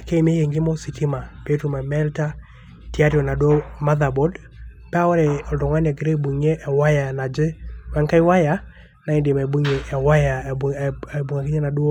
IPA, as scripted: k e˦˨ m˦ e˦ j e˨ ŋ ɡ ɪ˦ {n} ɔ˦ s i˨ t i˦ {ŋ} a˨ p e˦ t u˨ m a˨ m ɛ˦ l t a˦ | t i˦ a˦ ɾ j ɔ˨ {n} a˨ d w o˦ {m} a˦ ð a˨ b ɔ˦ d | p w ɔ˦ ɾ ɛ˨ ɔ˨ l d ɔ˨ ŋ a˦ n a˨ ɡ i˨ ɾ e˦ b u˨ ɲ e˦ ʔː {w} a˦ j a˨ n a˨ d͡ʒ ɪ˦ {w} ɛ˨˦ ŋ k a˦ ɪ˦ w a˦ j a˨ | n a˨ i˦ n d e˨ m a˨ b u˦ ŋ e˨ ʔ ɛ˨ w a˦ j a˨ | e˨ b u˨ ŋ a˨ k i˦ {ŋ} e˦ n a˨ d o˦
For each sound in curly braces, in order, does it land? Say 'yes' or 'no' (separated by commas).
no, no, yes, yes, yes, yes, no